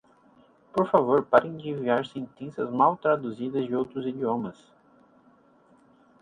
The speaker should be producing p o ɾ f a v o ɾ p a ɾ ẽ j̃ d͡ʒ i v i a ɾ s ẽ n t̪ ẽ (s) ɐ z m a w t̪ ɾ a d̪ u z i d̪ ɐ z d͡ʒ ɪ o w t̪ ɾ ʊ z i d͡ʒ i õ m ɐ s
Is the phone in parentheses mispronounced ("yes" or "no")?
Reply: no